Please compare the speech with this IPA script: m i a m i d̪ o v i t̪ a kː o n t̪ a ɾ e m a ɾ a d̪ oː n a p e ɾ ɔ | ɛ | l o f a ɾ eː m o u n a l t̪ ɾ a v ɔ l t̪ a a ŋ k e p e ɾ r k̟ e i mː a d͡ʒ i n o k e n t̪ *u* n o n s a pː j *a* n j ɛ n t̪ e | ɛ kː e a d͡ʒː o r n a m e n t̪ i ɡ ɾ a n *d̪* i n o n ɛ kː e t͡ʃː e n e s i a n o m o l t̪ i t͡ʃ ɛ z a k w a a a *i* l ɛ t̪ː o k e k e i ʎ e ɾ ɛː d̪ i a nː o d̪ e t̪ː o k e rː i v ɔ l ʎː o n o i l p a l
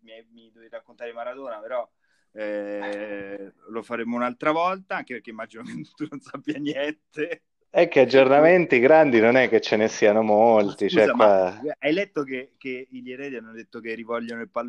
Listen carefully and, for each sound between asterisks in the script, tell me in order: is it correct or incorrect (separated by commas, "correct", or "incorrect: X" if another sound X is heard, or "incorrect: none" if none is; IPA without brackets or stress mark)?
correct, correct, correct, incorrect: j